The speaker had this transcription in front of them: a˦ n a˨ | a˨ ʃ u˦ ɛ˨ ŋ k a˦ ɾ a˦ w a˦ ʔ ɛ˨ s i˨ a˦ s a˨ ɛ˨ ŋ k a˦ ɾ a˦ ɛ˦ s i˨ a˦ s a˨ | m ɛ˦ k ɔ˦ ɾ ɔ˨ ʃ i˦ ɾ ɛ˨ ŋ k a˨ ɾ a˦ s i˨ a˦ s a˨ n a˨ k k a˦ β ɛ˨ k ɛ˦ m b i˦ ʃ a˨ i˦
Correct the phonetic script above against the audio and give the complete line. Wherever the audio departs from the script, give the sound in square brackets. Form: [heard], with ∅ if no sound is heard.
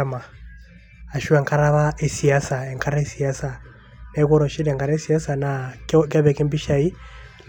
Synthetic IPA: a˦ [m] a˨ | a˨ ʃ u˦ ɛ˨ ŋ k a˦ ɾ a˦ [β] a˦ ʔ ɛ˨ s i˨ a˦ s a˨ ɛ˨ ŋ k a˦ ɾ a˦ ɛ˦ s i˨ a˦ s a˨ | [n] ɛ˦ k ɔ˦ ɾ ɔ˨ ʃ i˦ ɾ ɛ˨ ŋ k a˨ ɾ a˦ s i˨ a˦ s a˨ n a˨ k k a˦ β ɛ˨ k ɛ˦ m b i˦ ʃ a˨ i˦